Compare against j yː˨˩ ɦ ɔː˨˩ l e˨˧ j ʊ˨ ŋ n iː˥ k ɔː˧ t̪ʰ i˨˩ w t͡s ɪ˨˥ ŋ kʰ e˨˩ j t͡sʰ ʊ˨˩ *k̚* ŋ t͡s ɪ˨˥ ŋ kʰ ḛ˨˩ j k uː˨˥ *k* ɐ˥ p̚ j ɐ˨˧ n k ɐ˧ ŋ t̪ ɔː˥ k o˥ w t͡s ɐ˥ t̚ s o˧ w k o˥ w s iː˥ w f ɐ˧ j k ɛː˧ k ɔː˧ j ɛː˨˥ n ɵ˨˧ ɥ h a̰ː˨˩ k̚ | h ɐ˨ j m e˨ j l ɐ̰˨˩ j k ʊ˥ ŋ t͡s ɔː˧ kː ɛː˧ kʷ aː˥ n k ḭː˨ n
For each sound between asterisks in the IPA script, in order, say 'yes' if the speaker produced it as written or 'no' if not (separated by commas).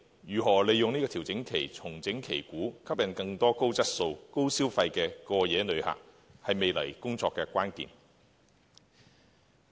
no, no